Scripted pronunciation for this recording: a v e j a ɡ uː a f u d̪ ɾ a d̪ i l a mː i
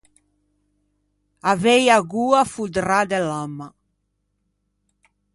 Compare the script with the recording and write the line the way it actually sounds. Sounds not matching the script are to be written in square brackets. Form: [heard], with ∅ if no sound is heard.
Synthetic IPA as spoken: a v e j a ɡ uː a f u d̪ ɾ a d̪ [ɛ] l a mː [a]